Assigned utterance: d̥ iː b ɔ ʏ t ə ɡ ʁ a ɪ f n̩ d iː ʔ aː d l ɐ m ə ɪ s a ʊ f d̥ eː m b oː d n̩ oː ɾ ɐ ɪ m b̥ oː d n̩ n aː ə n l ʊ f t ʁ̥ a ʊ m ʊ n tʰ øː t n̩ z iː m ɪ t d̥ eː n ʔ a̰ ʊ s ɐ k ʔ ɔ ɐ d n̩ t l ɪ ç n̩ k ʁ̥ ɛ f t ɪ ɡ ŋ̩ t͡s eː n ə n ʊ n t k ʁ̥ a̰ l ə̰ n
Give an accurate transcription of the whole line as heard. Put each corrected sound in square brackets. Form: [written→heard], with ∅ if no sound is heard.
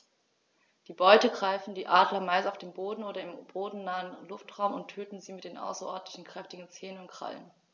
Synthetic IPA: d̥ iː b ɔ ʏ t ə ɡ ʁ a ɪ f n̩ d iː ʔ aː d l ɐ m [ə→a] ɪ s a ʊ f d̥ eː m b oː d n̩ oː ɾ ɐ ɪ m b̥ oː d n̩ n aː ə n l ʊ f t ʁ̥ a ʊ m ʊ n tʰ øː t n̩ z iː m ɪ t d̥ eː n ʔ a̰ ʊ s ɐ [k→∅] ʔ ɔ ɐ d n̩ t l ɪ ç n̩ k ʁ̥ ɛ f t ɪ ɡ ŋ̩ t͡s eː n ə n ʊ n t k ʁ̥ a̰ l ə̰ n